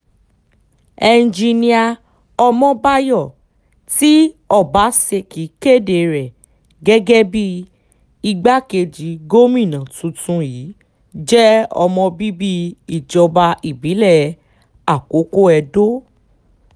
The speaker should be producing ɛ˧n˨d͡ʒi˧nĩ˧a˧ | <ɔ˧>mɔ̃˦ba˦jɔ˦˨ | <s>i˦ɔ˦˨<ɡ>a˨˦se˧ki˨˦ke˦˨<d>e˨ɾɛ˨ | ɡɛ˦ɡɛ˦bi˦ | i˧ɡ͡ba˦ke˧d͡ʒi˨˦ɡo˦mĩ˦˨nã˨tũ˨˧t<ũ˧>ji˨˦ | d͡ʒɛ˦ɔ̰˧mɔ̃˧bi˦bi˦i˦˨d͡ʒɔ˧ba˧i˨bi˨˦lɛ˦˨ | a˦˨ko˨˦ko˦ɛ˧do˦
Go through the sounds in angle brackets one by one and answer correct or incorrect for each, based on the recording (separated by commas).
correct, incorrect, incorrect, correct, correct